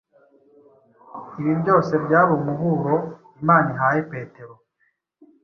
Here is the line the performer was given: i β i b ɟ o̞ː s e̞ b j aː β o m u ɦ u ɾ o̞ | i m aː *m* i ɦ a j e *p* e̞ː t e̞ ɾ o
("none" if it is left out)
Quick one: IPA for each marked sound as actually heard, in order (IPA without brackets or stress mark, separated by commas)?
n, p